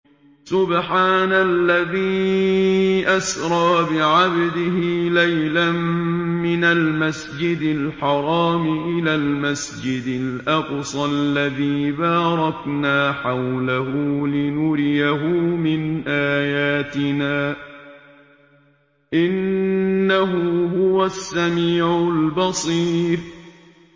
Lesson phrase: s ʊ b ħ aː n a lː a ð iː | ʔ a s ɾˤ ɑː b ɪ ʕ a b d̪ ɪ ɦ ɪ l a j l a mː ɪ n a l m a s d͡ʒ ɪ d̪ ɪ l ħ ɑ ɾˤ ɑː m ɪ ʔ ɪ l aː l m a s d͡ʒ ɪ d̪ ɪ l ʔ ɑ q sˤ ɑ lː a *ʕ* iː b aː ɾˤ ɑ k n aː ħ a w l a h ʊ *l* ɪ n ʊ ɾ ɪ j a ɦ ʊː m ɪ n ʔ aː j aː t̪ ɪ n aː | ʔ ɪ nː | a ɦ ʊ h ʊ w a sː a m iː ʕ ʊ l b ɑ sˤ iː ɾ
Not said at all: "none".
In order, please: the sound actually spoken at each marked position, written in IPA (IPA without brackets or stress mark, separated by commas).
ð, l